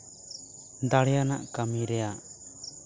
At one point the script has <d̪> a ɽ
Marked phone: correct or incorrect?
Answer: correct